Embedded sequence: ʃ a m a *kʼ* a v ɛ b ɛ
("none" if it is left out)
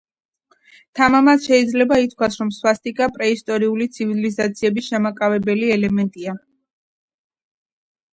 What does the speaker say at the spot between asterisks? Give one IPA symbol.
kʼ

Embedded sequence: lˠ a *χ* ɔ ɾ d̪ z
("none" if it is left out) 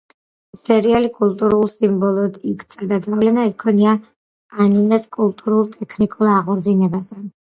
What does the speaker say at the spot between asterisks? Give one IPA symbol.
ʁ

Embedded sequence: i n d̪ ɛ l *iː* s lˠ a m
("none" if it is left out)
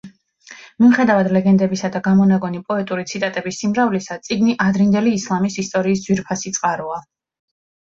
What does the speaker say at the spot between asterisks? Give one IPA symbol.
iː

